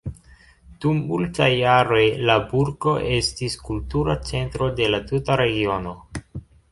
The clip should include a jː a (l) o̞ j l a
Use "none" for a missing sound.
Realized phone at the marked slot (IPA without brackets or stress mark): ɾ